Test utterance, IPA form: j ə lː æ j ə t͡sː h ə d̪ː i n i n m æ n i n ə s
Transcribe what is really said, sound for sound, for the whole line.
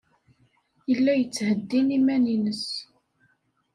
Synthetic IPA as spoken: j ə lː æ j ə t͡sː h ə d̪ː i n i m æ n i n ə s